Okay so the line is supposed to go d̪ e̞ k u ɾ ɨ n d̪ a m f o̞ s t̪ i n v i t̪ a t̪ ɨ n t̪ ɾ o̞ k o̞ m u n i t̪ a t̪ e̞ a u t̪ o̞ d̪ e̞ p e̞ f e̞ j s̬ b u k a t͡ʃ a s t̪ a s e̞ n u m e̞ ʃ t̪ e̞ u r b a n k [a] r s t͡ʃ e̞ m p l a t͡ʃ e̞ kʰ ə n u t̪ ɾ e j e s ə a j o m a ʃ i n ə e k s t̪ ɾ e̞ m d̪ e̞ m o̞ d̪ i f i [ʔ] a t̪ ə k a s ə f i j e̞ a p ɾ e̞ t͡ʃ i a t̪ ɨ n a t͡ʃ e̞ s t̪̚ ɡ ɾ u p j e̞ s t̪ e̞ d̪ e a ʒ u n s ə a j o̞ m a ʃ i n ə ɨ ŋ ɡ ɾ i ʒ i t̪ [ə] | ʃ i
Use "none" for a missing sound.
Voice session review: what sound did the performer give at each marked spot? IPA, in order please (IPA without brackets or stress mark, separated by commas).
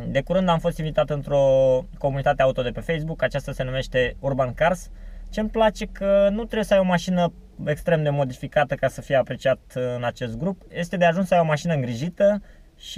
a, k, ə